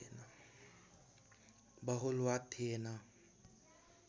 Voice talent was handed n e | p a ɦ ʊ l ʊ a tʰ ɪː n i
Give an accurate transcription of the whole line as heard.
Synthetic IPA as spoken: n a | b a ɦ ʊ l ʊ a tʰ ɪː n a